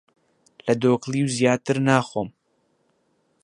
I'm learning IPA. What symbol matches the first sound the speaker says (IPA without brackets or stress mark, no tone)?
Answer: l